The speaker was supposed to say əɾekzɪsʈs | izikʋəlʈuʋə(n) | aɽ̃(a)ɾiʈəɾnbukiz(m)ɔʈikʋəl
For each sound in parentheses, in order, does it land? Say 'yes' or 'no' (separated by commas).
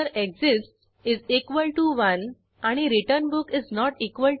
yes, no, no